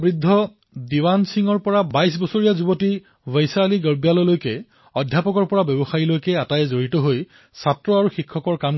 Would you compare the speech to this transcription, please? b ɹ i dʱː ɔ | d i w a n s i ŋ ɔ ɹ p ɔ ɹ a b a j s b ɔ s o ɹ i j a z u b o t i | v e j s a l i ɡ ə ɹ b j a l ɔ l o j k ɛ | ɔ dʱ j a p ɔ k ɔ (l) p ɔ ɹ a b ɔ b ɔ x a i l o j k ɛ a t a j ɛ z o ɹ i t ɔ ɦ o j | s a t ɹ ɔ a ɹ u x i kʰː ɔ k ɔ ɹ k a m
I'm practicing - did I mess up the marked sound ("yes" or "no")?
yes